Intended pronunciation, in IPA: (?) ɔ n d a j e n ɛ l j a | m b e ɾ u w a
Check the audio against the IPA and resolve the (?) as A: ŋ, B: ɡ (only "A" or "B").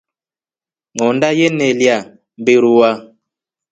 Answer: A